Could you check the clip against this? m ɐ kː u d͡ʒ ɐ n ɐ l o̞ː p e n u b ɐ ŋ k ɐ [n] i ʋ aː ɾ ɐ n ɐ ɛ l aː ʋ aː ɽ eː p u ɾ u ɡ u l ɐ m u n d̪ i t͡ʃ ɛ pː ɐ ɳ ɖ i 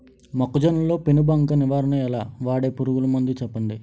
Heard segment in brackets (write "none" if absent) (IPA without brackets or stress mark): n